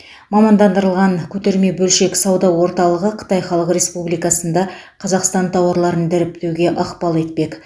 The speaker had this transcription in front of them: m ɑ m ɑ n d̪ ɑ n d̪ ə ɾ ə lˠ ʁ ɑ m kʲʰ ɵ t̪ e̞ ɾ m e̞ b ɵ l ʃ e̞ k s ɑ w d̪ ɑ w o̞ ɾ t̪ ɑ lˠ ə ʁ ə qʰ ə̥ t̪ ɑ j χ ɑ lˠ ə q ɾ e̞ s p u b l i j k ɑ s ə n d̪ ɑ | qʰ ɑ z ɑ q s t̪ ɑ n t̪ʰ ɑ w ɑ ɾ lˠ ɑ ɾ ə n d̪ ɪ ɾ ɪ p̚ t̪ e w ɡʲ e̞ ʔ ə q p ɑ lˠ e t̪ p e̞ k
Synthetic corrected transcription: m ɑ m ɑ n d̪ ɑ n d̪ ə ɾ ə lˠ ʁ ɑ ŋ kʲʰ ɵ t̪ e̞ ɾ m e̞ b ɵ l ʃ e̞ k s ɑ w d̪ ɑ w o̞ ɾ t̪ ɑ lˠ ə ʁ ə qʰ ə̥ t̪ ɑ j χ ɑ lˠ ə q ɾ e̞ s p u b l i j k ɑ s ə n d̪ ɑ | qʰ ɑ z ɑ q s t̪ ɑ n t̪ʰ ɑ w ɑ ɾ lˠ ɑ ɾ ə n d̪ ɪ ɾ ɪ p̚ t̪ e w ɡʲ e̞ ʔ ɑ q p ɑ lˠ e t̪ p e̞ k